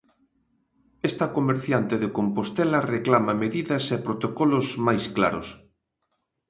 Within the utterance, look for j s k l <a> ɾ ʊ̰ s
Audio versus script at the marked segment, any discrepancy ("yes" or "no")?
no